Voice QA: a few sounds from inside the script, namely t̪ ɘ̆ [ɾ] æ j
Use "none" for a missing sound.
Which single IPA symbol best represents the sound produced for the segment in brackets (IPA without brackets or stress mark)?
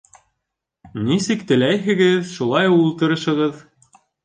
l